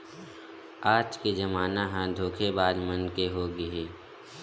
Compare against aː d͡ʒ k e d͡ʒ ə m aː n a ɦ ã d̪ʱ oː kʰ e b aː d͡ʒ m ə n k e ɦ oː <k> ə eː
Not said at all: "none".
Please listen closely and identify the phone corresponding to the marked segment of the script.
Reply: ɡ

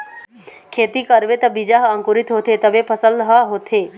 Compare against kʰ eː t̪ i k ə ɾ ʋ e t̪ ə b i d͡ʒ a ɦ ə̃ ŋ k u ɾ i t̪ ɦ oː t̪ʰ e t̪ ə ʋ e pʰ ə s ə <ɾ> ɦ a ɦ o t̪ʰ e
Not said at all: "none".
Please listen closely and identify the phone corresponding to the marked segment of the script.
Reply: l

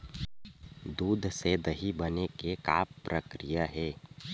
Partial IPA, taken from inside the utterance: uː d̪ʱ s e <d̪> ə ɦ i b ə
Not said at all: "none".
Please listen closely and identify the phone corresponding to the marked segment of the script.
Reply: d̪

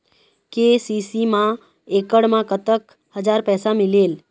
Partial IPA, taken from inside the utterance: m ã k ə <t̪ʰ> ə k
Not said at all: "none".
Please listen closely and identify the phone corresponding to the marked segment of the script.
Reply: t̪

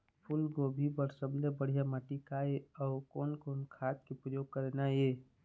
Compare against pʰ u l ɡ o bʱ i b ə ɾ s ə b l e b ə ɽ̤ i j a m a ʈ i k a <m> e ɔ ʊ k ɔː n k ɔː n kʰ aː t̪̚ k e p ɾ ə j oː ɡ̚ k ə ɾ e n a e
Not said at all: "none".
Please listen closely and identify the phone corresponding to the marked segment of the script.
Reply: none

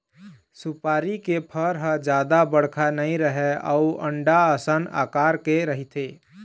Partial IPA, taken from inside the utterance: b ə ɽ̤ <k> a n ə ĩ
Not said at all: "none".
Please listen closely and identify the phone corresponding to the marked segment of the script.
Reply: kʰ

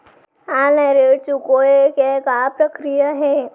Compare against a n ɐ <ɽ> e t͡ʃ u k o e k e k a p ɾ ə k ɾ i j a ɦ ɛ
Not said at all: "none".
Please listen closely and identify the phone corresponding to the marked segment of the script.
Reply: ɾ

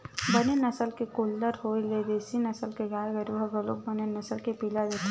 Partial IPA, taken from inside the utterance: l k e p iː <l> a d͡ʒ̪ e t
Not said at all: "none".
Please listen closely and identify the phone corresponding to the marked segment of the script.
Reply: l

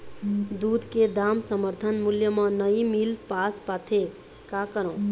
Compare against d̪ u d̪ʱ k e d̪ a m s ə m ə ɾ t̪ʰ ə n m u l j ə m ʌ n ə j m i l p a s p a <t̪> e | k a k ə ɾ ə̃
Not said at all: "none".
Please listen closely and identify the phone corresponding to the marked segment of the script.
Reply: t̪ʰ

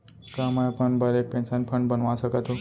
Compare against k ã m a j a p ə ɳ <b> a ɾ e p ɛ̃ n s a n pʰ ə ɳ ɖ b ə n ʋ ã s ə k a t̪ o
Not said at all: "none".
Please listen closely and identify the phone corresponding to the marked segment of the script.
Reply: b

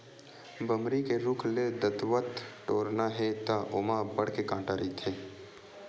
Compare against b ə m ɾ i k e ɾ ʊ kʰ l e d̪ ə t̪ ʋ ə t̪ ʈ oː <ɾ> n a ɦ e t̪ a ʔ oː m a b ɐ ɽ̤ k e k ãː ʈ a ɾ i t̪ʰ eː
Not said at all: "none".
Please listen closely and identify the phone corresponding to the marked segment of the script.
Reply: ɾ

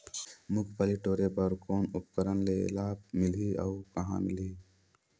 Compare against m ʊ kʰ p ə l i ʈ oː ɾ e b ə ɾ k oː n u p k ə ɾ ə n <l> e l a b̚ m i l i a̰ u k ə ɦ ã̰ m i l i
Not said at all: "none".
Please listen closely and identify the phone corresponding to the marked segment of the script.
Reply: l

